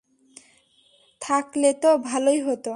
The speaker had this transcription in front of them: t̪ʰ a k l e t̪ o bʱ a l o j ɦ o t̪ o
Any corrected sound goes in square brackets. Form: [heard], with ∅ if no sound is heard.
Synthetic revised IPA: t̪ʰ a k l e t̪ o bʱ a l o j ɦ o t̪ o